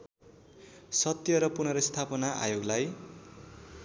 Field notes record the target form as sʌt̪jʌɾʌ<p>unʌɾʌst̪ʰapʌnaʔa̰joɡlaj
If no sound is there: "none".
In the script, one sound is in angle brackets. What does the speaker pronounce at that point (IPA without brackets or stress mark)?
p